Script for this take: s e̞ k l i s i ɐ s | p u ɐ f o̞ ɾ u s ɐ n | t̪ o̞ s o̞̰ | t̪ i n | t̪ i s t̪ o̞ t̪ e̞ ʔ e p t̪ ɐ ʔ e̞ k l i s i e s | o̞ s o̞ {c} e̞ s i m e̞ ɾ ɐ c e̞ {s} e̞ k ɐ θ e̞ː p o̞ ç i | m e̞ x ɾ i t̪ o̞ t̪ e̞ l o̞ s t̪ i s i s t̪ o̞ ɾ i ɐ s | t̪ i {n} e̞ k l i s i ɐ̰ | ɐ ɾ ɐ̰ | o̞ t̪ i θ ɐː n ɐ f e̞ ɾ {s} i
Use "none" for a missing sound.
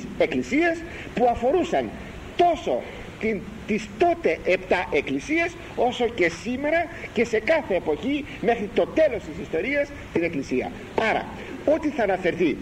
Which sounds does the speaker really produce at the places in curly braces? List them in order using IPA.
c, s, n, θ

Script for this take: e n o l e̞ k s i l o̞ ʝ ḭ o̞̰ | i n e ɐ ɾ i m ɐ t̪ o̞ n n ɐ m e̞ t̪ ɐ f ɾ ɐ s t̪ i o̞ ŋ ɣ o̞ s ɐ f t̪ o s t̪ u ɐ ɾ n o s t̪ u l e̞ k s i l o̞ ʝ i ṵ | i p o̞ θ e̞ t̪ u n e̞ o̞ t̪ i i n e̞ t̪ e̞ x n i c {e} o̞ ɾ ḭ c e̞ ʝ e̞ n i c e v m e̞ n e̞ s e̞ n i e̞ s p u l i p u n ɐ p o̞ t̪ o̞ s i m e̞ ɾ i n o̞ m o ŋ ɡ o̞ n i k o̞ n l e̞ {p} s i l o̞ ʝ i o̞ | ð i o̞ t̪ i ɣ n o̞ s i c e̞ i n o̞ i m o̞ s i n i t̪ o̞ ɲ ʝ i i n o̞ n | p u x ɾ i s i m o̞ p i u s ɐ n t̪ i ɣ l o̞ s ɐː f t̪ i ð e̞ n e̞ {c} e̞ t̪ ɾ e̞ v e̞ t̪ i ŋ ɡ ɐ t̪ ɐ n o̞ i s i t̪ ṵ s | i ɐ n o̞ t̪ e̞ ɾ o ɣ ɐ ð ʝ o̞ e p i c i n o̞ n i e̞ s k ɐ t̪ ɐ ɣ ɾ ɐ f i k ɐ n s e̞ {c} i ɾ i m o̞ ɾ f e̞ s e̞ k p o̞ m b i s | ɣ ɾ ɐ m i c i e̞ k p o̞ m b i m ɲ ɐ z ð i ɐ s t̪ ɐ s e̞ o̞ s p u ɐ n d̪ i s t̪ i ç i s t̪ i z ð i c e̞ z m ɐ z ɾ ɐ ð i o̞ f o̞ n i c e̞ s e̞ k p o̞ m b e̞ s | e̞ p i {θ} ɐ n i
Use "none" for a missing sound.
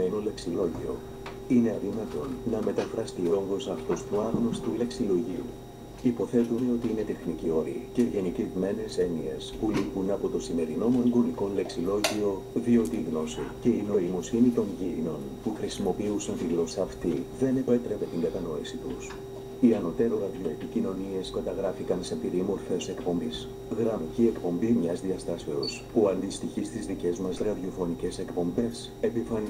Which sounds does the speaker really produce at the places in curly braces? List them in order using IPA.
i, k, p, p, f

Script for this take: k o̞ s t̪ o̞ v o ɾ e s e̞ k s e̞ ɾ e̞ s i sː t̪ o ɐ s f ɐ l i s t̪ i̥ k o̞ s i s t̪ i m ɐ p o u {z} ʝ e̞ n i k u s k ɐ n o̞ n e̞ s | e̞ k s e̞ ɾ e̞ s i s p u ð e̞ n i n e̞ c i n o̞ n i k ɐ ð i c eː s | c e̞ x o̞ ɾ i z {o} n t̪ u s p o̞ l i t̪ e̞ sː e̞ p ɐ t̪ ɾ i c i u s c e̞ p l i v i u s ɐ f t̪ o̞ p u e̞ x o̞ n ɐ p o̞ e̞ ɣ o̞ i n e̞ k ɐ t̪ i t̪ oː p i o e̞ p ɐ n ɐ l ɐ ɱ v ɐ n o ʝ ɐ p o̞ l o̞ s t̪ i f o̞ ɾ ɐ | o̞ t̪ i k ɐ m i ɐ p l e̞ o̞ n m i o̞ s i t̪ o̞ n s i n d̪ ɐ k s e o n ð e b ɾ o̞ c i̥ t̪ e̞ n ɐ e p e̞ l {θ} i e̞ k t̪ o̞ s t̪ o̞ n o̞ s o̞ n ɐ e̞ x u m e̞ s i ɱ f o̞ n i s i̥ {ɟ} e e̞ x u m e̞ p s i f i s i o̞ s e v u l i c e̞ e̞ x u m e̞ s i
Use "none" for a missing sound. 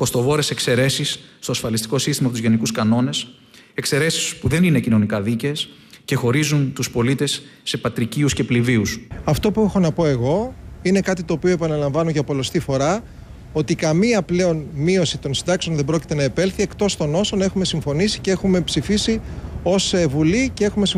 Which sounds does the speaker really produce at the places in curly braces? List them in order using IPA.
z, u, θ, c

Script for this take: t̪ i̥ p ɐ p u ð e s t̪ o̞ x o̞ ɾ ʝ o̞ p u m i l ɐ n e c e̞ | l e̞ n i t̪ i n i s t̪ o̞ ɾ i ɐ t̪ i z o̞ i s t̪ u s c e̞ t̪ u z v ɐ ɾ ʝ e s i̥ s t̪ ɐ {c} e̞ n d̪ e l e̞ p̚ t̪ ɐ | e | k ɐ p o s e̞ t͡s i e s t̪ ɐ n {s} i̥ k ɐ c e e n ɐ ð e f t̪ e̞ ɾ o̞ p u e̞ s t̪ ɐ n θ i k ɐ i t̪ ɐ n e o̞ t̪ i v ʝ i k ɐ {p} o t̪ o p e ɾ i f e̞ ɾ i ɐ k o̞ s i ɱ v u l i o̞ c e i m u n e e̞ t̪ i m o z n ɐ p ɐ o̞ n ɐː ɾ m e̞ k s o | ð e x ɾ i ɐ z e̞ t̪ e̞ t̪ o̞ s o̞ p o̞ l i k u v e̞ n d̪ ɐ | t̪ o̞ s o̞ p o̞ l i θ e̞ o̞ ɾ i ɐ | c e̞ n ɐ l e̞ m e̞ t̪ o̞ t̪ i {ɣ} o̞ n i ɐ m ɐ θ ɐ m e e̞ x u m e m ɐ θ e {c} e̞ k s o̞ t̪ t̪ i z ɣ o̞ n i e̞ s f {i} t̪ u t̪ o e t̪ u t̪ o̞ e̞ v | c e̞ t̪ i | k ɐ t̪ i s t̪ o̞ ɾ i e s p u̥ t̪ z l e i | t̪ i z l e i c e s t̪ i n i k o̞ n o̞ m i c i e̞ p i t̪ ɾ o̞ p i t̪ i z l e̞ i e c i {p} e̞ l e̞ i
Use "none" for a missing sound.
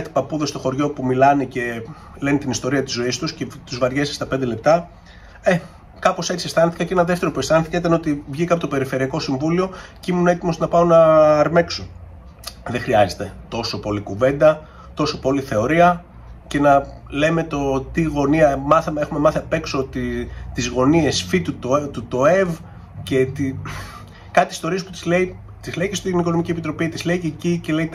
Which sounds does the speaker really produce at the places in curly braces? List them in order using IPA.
p, θ, p, ɣ, p, i, c

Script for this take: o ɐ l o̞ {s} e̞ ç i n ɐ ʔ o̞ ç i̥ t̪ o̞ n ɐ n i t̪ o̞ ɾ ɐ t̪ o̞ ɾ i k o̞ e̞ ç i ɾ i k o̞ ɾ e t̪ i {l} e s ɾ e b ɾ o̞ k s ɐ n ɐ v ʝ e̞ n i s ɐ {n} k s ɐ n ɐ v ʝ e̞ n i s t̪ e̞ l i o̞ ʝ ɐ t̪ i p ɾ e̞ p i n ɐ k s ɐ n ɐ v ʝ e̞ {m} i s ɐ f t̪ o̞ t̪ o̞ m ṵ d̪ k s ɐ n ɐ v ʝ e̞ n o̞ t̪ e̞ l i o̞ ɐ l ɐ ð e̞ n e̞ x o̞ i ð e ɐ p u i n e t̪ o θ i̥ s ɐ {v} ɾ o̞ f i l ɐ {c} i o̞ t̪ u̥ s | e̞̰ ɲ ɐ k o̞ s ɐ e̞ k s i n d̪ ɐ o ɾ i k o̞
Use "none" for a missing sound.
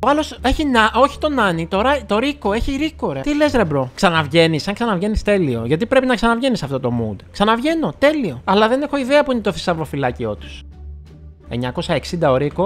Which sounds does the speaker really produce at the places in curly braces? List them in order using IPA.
s, l, ŋ, n, v, c

